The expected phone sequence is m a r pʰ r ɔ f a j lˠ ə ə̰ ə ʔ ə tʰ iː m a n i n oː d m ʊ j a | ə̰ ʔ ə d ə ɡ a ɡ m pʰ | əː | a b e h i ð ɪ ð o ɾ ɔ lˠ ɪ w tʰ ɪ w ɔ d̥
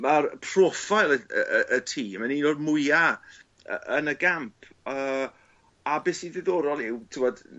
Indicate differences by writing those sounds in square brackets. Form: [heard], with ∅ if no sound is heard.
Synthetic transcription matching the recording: m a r pʰ r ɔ f a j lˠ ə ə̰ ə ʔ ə tʰ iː m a n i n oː d m ʊ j a | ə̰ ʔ ə [n] ə ɡ a [∅] m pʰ | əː | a b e [s] i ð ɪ ð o ɾ ɔ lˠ ɪ w tʰ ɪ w ɔ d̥